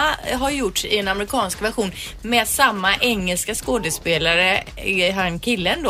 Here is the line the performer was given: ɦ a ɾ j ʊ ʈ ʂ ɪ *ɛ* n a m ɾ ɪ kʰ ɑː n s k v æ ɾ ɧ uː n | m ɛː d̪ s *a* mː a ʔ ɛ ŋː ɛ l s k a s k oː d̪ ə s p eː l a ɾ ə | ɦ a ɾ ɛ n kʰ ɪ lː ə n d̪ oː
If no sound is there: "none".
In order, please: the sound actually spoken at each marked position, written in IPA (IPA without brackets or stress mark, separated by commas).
ɛ, a